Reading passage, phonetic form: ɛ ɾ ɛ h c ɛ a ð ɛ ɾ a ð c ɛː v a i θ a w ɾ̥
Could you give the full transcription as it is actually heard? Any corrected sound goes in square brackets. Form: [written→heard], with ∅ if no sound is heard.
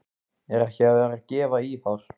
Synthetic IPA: ɛ ɾ ɛ h c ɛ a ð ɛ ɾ a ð c ɛː v a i θ a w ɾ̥